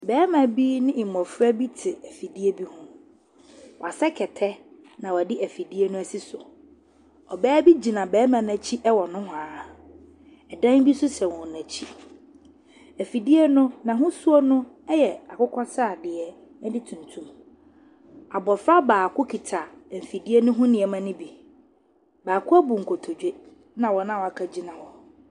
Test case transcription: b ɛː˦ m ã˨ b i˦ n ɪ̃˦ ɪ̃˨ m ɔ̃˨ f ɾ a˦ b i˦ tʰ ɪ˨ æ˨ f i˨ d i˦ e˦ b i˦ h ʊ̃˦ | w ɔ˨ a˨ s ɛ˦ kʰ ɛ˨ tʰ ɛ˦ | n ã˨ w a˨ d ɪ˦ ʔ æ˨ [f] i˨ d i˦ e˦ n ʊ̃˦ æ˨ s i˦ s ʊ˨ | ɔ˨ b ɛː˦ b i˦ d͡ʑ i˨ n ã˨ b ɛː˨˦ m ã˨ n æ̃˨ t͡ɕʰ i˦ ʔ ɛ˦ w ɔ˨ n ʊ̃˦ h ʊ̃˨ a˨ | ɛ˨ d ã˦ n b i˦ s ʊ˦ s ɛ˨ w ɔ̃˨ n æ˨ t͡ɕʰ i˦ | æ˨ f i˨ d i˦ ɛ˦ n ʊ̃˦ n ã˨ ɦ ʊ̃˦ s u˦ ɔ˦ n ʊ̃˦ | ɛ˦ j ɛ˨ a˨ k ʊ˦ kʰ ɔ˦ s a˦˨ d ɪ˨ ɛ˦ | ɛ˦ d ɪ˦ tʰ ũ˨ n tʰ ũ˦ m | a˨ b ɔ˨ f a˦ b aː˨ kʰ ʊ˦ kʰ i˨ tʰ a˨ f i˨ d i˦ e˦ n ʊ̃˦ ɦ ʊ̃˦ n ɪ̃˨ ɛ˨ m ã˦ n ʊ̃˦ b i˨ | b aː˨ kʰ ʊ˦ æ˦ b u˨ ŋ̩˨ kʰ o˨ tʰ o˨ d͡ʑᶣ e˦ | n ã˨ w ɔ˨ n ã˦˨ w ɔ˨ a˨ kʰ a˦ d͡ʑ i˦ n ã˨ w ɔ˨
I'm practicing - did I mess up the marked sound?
no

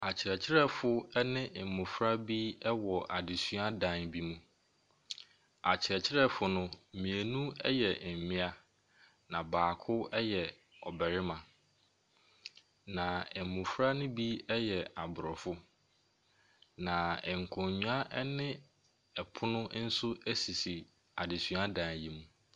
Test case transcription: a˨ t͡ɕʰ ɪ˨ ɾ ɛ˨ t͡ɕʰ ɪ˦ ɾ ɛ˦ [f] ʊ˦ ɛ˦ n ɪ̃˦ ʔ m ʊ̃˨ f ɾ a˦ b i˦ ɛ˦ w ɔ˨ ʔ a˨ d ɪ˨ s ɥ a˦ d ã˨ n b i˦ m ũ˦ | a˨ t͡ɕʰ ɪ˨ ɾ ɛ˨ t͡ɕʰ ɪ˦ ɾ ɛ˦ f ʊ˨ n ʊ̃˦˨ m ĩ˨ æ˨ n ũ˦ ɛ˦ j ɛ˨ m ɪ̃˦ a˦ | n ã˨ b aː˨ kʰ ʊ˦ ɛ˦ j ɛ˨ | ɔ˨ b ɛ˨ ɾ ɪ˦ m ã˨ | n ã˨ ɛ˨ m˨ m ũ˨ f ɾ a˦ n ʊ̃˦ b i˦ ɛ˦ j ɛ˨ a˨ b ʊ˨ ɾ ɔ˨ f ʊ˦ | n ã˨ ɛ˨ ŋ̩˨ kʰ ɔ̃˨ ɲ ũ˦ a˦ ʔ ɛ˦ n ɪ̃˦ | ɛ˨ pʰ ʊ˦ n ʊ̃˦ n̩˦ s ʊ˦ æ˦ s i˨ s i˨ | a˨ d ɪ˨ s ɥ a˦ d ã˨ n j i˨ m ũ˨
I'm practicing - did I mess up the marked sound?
no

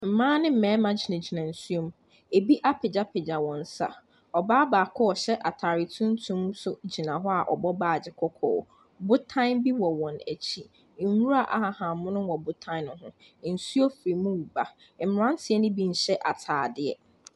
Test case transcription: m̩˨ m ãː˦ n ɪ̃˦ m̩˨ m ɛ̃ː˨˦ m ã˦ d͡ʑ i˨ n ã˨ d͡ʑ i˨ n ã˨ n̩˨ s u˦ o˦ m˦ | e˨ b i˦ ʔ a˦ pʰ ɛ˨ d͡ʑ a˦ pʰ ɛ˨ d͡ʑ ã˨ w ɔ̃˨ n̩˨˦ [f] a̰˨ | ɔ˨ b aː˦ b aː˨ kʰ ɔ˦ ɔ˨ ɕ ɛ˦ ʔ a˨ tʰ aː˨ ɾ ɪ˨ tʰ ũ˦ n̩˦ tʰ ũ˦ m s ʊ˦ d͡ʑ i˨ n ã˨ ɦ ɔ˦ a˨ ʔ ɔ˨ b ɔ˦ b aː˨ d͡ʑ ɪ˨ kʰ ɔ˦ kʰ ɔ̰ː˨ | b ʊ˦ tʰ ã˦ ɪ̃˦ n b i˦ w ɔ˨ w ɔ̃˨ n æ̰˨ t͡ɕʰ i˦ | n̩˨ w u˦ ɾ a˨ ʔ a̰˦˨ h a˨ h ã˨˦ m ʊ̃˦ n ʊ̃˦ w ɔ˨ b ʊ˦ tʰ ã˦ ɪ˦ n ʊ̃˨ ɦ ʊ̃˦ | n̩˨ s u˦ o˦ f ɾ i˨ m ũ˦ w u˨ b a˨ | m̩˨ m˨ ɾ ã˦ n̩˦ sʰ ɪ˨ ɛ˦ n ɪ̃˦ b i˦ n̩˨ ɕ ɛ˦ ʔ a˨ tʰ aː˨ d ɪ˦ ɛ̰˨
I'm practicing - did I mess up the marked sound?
yes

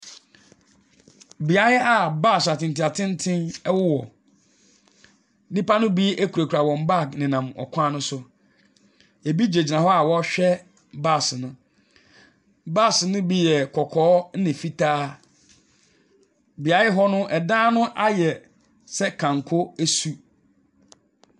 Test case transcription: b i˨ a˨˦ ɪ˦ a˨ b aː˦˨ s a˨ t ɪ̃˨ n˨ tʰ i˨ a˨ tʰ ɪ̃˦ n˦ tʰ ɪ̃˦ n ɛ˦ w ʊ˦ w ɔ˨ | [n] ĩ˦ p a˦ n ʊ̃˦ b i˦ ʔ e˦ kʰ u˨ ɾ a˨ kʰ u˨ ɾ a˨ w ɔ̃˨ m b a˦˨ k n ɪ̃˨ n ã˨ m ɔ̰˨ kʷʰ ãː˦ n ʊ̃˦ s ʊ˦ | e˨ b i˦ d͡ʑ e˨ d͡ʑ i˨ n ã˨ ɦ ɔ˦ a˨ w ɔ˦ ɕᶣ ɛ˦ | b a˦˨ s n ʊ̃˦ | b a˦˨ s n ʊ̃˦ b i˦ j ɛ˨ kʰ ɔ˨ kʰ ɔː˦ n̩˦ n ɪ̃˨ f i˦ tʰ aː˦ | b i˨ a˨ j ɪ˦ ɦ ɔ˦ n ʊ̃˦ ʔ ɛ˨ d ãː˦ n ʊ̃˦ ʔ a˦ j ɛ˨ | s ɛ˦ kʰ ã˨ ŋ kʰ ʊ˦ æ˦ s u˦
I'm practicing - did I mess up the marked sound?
no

